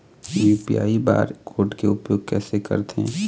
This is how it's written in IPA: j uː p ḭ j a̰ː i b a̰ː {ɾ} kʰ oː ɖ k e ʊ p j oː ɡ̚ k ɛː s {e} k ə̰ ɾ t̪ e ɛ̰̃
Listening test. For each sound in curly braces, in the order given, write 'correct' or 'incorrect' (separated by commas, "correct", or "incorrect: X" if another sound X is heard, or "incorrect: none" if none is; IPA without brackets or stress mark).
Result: correct, correct